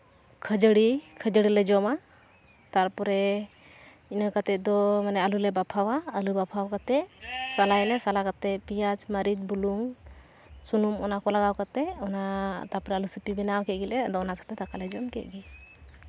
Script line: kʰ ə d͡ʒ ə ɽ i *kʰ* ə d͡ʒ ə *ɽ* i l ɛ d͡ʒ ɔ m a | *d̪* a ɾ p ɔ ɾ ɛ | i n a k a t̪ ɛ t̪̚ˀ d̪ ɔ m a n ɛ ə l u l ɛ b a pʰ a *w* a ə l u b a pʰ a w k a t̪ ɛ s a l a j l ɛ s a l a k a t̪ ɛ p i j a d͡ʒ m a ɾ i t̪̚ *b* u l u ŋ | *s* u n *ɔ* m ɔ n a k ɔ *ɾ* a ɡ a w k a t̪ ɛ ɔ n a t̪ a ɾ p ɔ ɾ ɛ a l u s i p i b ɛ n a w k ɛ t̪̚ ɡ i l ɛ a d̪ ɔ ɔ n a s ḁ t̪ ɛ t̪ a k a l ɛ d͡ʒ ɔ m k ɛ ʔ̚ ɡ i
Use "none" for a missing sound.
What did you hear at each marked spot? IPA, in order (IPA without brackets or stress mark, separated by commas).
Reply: kʰ, ɽ, t̪, w, b, s, u, l